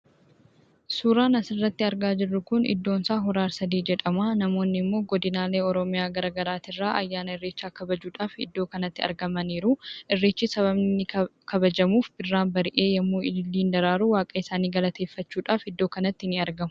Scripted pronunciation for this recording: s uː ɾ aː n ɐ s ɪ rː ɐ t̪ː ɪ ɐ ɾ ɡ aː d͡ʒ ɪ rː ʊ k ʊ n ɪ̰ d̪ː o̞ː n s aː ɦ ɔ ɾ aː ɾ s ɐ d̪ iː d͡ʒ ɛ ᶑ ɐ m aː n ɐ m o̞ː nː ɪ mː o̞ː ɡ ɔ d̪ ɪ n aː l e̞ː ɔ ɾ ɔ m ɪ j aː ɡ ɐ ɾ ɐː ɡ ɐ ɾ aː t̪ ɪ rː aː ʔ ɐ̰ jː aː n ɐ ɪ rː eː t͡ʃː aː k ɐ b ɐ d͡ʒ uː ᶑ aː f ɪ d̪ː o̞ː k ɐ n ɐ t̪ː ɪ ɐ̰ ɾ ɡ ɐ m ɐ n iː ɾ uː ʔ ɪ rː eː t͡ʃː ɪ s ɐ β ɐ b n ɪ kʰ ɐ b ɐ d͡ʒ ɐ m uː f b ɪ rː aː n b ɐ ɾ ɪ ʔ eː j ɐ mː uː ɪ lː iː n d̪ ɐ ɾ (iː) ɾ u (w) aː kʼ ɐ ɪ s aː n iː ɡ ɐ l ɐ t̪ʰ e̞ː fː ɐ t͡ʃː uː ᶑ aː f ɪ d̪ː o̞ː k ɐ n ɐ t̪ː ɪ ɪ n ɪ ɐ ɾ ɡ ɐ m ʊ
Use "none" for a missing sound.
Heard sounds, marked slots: aː, w

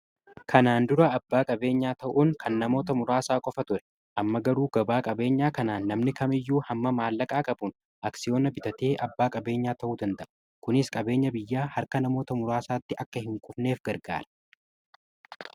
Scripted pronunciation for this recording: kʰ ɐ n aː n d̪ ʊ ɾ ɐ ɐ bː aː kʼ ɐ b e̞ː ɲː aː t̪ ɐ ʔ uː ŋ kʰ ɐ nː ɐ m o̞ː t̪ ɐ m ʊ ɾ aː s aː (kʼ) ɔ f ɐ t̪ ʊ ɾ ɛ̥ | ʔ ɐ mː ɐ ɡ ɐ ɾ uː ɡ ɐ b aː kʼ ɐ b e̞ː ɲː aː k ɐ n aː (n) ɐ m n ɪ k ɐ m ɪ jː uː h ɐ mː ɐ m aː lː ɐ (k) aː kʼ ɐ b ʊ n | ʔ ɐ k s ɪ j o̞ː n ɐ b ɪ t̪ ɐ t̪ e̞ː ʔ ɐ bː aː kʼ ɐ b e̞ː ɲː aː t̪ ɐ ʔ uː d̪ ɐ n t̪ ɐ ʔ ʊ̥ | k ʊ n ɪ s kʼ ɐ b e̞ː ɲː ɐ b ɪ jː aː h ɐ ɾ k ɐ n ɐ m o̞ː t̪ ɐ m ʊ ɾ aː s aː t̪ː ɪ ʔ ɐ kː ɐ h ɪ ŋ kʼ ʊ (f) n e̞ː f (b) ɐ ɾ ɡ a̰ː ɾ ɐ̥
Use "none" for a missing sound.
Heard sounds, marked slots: kʼ, nː, kʼ, f, ɡ

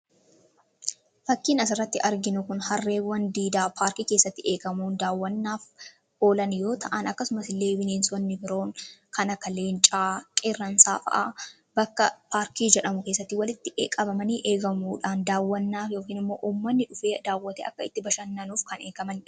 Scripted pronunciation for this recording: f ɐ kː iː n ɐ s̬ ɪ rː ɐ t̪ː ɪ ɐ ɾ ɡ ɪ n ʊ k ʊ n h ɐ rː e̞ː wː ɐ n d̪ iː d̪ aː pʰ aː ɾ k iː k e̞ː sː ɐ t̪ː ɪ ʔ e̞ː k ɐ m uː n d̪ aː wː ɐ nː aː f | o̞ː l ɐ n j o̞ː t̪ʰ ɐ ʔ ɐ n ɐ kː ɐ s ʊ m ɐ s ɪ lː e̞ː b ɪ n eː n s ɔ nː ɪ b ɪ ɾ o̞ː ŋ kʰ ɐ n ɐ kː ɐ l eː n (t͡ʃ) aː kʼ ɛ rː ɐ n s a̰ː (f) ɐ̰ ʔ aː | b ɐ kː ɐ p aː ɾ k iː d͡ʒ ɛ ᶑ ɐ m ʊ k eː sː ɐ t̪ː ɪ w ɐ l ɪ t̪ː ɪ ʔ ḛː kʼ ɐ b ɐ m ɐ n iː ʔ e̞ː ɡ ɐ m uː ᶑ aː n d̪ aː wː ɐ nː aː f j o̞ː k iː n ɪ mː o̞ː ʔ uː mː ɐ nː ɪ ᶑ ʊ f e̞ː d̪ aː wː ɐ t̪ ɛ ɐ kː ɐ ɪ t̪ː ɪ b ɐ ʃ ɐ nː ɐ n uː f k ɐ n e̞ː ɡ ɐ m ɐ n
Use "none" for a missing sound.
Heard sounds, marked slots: t͡ʃʼ, f

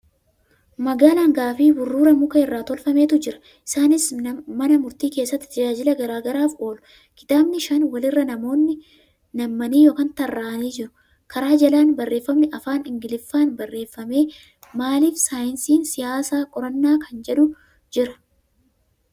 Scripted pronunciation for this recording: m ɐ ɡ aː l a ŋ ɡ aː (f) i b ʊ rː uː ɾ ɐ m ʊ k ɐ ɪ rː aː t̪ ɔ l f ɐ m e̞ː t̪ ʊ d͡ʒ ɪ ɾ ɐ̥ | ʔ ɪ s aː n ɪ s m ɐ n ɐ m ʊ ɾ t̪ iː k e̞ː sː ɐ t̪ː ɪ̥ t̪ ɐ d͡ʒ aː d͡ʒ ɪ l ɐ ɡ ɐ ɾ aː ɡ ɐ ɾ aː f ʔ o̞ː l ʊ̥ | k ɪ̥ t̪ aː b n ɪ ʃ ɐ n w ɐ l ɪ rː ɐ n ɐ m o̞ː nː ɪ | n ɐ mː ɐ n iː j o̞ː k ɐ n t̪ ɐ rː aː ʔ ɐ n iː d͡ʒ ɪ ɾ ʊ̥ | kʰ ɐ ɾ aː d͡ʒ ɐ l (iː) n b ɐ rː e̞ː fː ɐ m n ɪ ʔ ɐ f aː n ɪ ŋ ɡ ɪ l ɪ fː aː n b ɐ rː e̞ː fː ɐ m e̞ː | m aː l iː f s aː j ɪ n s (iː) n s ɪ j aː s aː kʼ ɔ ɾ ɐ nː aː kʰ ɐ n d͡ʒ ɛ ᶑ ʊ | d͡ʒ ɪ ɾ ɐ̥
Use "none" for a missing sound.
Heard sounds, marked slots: f, aː, iː

